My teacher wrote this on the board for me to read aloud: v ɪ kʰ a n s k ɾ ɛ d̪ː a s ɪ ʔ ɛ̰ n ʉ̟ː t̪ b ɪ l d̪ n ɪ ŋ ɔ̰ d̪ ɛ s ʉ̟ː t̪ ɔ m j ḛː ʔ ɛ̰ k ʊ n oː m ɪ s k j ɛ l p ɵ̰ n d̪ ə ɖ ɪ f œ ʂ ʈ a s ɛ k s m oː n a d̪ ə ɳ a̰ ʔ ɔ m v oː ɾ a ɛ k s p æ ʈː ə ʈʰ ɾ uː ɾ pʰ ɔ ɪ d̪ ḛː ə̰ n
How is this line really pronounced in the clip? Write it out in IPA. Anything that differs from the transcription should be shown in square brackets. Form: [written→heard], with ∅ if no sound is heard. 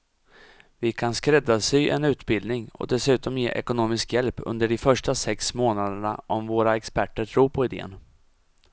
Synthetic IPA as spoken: v ɪ kʰ a n s k ɾ ɛ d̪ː a s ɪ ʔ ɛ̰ n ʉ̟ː t̪ b ɪ l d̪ n ɪ ŋ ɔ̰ d̪ ɛ s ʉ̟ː t̪ ɔ m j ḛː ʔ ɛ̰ k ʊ n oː m ɪ s k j ɛ l p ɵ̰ n d̪ ə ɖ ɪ f œ ʂ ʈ a s ɛ k s m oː n a d̪ ə ɳ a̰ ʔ ɔ m v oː ɾ a ɛ k s p æ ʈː ə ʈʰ ɾ uː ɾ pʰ ɔ ɪ d̪ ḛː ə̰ n

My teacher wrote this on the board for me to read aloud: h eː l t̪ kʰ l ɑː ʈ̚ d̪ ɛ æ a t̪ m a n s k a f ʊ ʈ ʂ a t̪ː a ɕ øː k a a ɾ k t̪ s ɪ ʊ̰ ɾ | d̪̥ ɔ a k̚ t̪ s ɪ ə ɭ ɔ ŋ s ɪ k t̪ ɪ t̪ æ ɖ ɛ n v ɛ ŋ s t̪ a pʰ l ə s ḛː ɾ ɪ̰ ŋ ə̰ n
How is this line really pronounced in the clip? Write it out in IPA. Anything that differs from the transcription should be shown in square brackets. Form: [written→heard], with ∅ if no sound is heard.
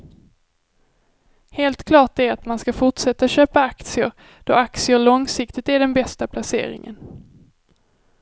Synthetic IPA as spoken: h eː l t̪ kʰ l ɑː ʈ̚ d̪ ɛ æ a t̪ m a n s k a f ʊ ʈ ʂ [a→ɛ] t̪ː a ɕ øː [k→p] a a [ɾ→∅] k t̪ s ɪ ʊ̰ ɾ | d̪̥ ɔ a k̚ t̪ s ɪ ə ɭ ɔ ŋ s ɪ k t̪ ɪ t̪ æ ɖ ɛ n [v→b] ɛ [ŋ→∅] s t̪ a pʰ l [ə→a] s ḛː ɾ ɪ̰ ŋ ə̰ n

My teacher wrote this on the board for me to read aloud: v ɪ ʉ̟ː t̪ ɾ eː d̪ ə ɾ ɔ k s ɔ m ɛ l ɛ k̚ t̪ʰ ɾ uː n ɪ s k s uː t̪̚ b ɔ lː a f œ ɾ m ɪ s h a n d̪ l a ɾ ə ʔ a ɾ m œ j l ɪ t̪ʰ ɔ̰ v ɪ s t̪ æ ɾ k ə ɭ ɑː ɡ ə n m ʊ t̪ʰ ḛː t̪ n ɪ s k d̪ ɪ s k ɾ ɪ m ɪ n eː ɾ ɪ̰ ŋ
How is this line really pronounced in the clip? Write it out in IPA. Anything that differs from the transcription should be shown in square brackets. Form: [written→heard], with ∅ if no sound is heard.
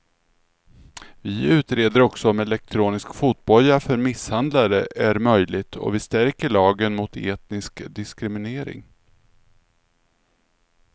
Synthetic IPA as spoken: v ɪ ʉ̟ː t̪ ɾ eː d̪ ə ɾ ɔ k s ɔ m ɛ l ɛ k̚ t̪ʰ ɾ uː n ɪ s k [s→f] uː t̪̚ b ɔ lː a f œ ɾ m ɪ s h a n d̪ l a ɾ ə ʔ [a→æ] ɾ m œ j l ɪ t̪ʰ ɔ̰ v ɪ s t̪ æ ɾ k ə ɭ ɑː ɡ ə n m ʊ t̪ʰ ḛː t̪ n ɪ s k d̪ ɪ s k ɾ ɪ m ɪ n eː ɾ ɪ̰ ŋ

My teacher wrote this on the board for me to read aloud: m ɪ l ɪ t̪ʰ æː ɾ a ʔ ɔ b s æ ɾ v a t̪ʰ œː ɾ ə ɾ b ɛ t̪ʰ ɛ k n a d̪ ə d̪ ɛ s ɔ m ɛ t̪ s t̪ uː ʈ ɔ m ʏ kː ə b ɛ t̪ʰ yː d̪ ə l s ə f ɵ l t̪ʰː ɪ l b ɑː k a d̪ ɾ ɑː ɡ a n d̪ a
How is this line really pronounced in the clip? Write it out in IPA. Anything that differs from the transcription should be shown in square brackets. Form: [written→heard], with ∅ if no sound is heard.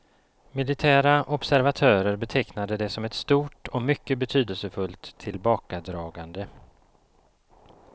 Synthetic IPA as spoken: m ɪ l ɪ t̪ʰ æː ɾ a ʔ ɔ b s æ ɾ v a t̪ʰ œː ɾ ə ɾ b ɛ t̪ʰ ɛ k n a d̪ ə d̪ ɛ s ɔ m ɛ t̪ s t̪ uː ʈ ɔ m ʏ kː ə b ɛ t̪ʰ yː d̪ ə l s ə f ɵ l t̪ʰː ɪ l b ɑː k a d̪ ɾ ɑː ɡ a n d̪ [a→ə]

